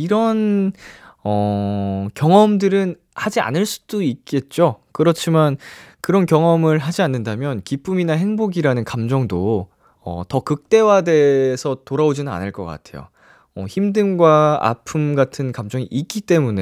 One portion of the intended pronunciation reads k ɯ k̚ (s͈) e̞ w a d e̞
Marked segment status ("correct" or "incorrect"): incorrect